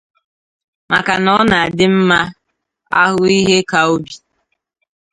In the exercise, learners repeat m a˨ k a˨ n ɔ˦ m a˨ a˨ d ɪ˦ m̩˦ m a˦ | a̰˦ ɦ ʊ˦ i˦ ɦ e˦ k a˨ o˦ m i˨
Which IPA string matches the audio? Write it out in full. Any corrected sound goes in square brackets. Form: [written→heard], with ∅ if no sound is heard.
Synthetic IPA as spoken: m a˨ k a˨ n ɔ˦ [m→n] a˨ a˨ d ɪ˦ m̩˦ m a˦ | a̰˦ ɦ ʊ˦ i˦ ɦ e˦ k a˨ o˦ [m→b] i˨

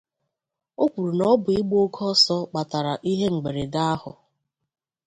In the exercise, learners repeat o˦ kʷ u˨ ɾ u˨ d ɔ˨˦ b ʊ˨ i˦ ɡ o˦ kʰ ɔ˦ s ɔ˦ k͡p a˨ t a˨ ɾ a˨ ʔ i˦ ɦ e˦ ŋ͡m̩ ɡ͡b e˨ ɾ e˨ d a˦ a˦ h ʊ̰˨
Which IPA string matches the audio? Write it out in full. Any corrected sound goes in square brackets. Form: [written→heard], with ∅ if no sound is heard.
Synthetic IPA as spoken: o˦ kʷ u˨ ɾ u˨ [d→n] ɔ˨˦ b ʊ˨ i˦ [ɡ→ɡ͡b] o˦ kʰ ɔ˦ s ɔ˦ k͡p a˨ t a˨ ɾ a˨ ʔ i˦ ɦ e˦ ŋ͡m̩ ɡ͡b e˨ ɾ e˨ d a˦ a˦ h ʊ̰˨

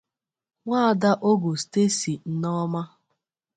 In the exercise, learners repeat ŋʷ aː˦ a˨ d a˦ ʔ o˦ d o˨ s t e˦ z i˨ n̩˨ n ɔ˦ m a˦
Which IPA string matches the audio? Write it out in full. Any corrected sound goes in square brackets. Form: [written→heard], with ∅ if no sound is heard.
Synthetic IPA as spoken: ŋʷ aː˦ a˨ d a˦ ʔ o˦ [d→ɡ] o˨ s t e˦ [z→s] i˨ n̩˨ n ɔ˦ m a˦

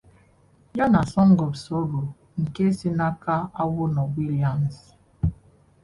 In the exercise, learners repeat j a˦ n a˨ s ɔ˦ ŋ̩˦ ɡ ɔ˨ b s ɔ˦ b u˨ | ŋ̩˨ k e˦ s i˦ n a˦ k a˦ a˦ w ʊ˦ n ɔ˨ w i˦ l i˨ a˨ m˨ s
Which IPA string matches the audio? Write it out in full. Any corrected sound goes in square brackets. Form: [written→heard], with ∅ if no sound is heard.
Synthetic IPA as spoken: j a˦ n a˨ s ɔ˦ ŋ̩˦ ɡ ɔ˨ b s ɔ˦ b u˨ | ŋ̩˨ k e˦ s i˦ n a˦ k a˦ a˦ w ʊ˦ n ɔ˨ w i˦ l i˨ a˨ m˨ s

